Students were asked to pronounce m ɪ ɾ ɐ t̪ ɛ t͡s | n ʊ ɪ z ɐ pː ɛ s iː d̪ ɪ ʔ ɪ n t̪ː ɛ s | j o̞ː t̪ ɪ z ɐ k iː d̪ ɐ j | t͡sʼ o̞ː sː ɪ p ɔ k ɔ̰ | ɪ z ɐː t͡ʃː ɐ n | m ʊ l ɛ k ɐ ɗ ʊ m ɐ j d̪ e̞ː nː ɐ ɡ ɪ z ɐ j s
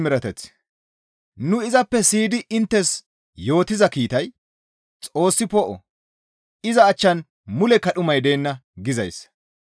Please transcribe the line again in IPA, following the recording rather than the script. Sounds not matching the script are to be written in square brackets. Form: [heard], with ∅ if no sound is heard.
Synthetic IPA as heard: m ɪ ɾ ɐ t̪ ɛ t͡s | n ʊ ɪ z ɐ pː ɛ s iː d̪ ɪ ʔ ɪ n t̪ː ɛ s | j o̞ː t̪ ɪ z ɐ k iː [t̪] ɐ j | t͡sʼ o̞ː sː ɪ p ɔ [ʔ] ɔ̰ | ɪ z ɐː t͡ʃː ɐ n | m ʊ l ɛ k ɐ ɗ ʊ m ɐ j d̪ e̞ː nː ɐ ɡ ɪ z ɐ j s